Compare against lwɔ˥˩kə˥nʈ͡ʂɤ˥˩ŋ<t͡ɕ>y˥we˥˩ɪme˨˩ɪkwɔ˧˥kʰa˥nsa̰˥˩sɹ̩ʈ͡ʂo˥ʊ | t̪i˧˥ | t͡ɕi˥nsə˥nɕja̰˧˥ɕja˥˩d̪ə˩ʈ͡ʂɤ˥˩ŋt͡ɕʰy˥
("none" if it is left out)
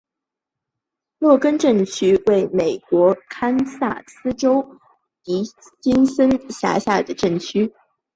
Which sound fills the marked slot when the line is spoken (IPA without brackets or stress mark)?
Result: t͡ɕʰ